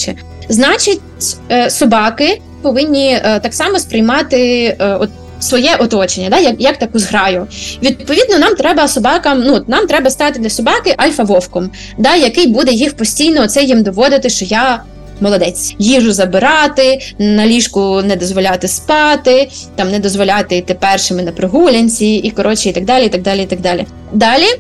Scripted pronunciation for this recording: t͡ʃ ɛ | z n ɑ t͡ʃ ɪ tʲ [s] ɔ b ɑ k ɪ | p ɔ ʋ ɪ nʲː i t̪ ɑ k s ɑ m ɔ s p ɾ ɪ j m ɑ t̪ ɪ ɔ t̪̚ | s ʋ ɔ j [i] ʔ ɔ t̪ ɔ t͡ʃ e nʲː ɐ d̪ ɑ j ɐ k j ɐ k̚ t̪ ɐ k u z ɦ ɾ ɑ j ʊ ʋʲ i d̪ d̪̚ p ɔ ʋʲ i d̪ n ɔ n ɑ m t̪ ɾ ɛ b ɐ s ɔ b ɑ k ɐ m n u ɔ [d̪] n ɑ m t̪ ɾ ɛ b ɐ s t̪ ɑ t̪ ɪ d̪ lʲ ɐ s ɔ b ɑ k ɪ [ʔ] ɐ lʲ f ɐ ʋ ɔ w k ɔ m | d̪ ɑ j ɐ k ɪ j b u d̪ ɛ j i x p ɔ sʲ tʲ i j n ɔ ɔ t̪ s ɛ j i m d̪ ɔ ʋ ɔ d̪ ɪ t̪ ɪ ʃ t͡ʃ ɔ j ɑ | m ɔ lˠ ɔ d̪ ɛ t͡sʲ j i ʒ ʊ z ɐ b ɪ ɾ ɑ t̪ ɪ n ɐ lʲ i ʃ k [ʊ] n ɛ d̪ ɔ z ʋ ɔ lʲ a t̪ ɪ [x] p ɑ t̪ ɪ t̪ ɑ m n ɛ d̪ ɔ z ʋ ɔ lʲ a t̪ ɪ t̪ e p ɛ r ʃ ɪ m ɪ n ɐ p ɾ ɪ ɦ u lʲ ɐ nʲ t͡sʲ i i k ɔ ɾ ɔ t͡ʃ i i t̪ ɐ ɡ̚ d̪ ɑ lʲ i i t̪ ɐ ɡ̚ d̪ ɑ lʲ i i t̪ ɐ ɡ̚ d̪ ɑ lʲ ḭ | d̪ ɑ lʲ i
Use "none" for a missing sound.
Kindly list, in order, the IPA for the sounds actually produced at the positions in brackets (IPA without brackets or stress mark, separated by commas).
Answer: s, ɛ, t̪, ʔ, ʊ, s